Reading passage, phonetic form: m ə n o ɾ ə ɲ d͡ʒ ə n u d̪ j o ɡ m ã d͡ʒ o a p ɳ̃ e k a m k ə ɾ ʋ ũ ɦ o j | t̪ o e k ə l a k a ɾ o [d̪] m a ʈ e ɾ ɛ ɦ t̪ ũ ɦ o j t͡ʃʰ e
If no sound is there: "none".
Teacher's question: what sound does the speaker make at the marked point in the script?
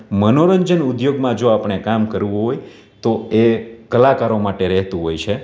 none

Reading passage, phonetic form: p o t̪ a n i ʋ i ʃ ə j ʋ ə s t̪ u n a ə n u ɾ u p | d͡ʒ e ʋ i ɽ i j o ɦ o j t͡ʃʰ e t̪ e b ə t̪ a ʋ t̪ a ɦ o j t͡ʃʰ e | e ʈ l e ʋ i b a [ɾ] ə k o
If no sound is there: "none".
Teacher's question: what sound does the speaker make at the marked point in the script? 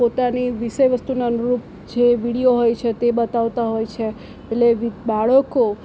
ɭ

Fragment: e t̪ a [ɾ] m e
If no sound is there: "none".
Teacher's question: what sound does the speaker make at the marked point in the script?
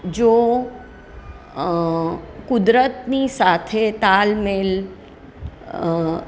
l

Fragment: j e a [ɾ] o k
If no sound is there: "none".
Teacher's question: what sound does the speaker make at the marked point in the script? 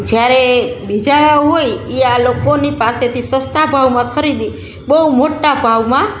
l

